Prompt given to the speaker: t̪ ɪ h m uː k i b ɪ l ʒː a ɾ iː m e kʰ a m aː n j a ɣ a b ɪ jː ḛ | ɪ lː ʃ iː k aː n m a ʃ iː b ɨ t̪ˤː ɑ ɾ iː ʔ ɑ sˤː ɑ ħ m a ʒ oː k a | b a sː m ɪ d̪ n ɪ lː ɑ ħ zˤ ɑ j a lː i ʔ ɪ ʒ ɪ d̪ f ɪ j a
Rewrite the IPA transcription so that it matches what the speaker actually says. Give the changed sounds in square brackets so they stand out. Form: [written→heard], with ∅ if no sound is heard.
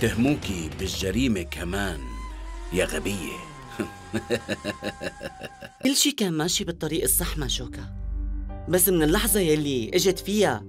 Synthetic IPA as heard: t̪ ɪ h m uː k i b ɪ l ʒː a ɾ iː m e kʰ a m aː n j a ɣ a b ɪ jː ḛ | ɪ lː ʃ iː k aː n m a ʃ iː b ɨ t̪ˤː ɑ ɾ iː ʔ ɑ sˤː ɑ ħ m a [ʒ→ʃ] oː k a | b a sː m ɪ [d̪→∅] n ɪ lː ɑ ħ zˤ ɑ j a lː i ʔ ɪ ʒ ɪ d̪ f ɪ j a